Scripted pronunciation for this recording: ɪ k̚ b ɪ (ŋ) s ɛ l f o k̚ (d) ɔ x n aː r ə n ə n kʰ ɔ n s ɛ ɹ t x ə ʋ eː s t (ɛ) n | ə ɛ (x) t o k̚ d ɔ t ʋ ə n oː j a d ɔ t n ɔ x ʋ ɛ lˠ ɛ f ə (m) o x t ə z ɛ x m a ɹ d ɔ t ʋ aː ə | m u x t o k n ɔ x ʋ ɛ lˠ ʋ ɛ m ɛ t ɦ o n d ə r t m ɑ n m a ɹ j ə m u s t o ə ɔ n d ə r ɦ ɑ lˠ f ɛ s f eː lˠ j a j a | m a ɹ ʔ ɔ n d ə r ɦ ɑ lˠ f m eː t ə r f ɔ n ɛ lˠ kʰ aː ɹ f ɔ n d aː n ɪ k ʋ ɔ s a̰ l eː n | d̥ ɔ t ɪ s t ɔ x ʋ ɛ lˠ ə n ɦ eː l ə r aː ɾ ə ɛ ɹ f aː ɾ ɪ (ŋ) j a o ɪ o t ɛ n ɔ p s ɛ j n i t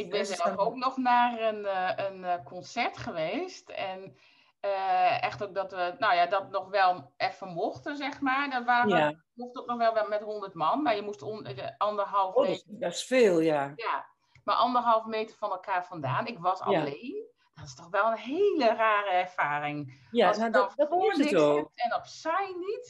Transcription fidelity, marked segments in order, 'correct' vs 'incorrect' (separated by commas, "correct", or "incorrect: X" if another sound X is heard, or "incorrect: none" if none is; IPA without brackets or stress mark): incorrect: n, incorrect: n, correct, correct, correct, correct